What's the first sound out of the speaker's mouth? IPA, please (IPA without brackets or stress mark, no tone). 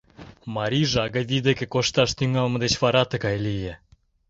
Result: m